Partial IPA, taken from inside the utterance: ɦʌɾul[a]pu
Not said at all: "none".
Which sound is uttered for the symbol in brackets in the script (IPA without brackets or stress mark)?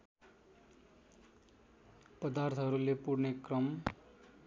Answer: e